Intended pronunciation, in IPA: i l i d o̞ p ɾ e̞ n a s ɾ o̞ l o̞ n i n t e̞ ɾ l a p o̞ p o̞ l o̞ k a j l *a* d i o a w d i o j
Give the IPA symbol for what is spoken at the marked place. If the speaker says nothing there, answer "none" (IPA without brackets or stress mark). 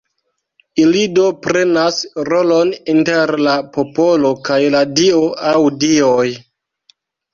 a